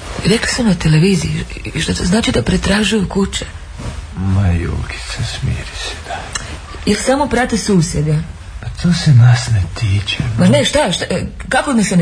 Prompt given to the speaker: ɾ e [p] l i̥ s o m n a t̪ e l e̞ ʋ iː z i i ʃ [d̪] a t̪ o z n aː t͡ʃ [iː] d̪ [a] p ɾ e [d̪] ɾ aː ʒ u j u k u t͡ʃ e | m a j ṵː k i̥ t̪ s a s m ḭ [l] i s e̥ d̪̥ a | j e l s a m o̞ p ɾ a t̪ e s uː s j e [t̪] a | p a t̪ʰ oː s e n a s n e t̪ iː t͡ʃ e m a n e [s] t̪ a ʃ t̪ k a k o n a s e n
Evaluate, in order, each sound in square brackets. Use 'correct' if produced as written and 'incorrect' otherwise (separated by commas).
incorrect, incorrect, incorrect, correct, incorrect, incorrect, incorrect, incorrect